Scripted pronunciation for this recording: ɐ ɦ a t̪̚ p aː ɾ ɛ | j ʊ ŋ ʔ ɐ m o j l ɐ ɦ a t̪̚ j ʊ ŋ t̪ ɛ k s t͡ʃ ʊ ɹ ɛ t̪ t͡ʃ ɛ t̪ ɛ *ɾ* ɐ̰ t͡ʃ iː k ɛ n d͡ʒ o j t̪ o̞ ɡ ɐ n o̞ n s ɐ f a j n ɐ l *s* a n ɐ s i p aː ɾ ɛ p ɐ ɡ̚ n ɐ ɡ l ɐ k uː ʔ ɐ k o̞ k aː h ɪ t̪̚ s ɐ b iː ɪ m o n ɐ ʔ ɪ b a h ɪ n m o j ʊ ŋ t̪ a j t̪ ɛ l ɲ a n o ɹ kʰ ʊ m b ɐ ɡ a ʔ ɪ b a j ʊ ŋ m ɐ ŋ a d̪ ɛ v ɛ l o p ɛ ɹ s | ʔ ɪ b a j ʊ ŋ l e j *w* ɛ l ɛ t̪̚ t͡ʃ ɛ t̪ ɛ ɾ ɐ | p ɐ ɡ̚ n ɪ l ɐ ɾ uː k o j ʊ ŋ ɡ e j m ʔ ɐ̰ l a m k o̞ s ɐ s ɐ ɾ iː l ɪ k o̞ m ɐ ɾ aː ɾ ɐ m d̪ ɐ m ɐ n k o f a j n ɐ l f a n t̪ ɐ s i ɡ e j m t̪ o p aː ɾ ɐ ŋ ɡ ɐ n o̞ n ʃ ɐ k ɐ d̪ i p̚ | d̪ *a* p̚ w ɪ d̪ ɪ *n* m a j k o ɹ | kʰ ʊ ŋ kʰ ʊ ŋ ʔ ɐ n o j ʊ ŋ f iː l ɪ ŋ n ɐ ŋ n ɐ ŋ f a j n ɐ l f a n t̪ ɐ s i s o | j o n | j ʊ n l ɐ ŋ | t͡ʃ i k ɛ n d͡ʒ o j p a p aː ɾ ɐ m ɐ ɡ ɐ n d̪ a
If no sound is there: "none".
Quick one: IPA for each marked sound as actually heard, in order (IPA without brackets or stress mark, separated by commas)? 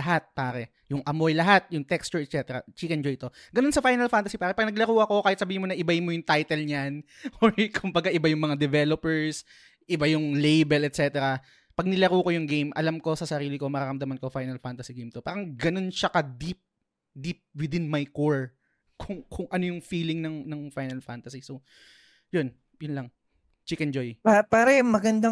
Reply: ɾ, f, b, i, n